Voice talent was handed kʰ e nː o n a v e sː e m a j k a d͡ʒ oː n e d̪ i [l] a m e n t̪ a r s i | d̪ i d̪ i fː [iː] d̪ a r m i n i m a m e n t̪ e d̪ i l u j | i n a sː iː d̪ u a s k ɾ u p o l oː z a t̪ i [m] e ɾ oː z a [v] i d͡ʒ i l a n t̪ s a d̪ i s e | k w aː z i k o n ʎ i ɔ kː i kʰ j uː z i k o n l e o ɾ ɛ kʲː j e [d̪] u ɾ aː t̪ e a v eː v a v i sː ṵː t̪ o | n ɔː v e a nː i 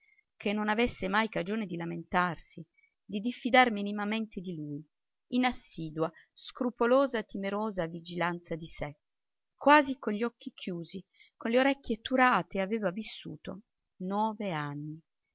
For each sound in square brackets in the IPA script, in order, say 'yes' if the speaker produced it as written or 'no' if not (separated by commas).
yes, no, yes, yes, no